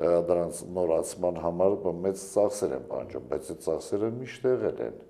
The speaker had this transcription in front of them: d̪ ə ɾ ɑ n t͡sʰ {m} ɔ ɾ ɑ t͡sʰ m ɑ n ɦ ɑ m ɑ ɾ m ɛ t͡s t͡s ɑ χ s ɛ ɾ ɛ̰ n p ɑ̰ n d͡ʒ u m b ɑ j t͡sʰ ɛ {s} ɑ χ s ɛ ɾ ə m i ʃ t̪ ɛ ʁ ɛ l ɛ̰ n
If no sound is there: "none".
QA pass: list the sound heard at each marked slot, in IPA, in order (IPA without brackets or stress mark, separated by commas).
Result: n, t͡s